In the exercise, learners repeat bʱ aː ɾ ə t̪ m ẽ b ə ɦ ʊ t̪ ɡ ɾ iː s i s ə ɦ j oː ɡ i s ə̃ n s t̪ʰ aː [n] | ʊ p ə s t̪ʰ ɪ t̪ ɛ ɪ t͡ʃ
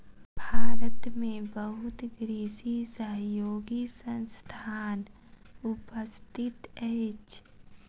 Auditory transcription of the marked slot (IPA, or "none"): n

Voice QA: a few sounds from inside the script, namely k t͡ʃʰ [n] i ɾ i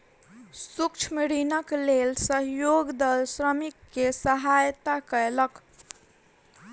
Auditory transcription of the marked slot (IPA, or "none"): m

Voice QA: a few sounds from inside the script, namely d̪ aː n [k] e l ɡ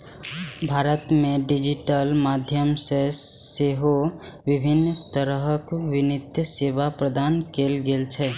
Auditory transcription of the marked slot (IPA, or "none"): k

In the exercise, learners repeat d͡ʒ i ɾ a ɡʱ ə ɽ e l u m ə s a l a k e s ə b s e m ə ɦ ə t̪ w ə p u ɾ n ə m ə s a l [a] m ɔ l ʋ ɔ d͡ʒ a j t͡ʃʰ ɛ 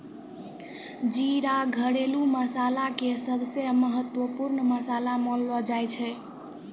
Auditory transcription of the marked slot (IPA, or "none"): a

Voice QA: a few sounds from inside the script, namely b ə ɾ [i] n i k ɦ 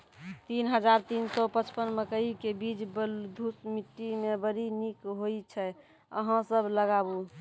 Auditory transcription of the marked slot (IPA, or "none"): i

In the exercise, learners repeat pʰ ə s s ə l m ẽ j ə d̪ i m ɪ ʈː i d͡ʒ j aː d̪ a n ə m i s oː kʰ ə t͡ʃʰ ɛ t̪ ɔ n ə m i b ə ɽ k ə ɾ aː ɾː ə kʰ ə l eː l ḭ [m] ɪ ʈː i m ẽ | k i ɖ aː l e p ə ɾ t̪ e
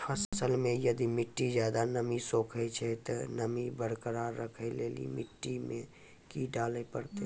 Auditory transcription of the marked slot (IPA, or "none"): m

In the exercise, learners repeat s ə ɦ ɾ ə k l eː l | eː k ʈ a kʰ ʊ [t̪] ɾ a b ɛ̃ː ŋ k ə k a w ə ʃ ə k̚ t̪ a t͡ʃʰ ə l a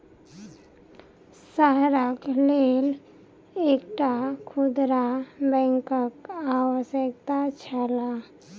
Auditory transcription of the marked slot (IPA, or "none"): d̪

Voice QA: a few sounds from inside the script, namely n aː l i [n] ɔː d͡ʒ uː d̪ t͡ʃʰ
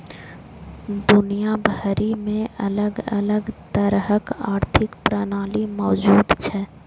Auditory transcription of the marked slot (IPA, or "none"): m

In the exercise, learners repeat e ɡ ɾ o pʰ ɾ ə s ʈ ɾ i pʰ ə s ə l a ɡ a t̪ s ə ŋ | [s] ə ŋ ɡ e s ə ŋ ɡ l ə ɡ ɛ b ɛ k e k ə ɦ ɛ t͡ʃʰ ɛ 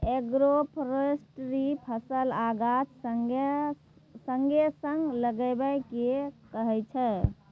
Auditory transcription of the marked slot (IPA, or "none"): s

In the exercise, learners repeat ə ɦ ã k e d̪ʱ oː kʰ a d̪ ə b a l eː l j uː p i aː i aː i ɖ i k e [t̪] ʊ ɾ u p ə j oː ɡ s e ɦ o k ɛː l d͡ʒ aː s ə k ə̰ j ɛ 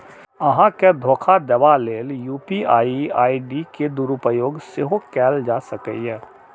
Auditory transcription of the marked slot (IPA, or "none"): d̪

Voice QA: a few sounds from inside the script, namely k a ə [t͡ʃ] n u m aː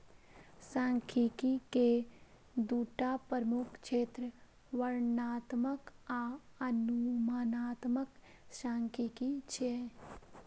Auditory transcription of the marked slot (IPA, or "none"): none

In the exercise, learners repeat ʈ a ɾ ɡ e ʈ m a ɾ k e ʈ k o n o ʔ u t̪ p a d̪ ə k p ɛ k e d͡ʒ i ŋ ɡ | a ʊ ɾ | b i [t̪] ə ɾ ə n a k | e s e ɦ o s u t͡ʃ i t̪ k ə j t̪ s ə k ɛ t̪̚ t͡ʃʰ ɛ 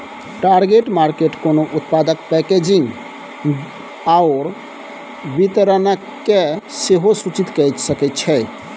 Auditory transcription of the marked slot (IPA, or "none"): t̪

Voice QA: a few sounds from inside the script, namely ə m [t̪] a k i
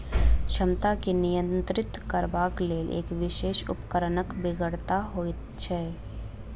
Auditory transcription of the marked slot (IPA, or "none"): t̪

